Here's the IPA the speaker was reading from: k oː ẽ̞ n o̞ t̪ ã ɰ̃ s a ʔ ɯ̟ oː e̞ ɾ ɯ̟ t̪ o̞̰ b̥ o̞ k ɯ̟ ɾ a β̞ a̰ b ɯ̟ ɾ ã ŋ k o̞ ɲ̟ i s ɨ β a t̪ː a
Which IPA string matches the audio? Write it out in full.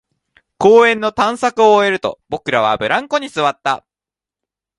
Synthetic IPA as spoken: k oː ẽ̞ nː o̞ t̪ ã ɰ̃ s a k ɯ̟ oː e̞ ɾ ɯ̟ t̪ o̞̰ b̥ o̞ k ɯ̟ ɾ a β̞ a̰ b ɯ̟ ɾ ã ŋ k o̞ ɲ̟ i s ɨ β a t̪ː a